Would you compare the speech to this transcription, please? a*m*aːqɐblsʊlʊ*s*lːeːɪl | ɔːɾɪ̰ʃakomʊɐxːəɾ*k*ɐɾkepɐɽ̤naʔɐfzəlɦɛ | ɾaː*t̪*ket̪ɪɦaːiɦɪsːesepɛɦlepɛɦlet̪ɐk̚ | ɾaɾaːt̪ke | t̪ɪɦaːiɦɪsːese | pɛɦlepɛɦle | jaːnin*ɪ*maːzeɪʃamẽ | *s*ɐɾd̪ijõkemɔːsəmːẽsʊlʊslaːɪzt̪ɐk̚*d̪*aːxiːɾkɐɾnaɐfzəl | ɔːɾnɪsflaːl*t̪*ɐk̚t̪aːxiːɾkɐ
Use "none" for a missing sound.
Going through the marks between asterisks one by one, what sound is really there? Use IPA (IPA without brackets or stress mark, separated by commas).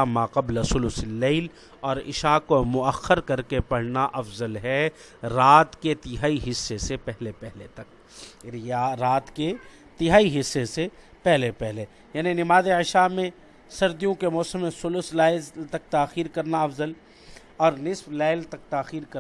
m, s, k, t̪, ɪ, s, t̪, t̪